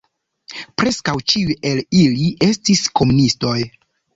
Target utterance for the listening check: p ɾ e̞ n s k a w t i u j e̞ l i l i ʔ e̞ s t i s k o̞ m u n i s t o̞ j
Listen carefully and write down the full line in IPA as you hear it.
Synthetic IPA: p ɾ e̞ s k a w t͡ʃ i u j e̞ l i l i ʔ e̞ s t i s k o̞ m u n i s t o̞ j